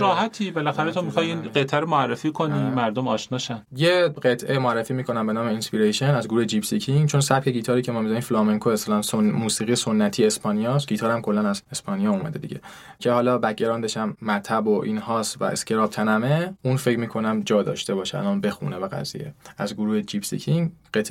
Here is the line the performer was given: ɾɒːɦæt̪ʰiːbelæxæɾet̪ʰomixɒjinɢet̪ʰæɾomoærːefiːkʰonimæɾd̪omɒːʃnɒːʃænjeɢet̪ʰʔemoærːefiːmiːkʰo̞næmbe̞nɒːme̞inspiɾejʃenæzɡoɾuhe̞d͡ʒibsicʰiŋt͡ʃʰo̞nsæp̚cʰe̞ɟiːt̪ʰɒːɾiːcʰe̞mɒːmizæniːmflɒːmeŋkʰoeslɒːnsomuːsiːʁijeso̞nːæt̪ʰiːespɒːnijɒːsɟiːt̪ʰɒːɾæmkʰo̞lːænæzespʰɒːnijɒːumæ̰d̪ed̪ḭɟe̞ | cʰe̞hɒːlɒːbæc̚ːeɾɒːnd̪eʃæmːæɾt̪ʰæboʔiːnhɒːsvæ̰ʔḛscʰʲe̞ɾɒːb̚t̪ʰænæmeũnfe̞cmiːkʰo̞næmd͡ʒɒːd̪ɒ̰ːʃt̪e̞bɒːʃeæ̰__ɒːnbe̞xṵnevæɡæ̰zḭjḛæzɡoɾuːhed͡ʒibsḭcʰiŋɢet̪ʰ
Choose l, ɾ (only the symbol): l